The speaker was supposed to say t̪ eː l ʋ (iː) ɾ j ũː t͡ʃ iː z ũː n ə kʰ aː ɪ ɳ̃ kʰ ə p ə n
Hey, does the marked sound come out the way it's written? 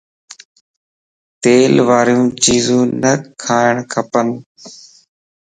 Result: no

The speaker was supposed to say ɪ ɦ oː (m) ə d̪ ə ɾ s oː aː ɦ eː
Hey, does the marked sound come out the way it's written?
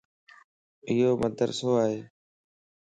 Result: yes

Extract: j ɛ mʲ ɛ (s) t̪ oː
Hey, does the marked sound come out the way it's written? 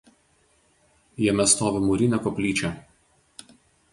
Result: yes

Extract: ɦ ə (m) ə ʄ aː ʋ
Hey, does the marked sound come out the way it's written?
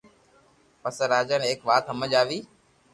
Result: yes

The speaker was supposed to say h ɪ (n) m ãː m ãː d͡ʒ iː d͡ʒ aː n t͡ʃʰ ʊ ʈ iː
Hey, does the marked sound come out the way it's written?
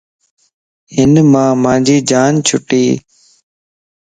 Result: yes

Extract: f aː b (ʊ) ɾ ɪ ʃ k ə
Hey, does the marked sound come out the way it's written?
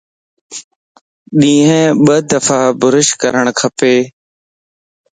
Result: yes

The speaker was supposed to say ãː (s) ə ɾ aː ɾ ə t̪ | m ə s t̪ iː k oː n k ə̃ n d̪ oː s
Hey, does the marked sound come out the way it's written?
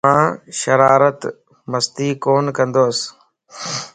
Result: no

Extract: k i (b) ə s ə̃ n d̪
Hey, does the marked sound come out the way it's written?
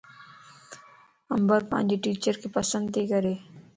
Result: no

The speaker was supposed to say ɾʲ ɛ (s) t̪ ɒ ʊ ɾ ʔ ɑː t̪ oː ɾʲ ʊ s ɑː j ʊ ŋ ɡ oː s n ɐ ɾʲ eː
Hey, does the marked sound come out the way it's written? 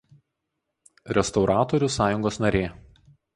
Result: yes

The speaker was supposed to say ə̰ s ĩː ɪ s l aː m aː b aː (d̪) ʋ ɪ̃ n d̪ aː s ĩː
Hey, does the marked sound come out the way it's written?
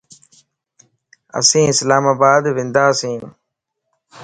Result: yes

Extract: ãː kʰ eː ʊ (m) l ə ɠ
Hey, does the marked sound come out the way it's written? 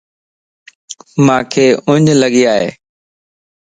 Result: no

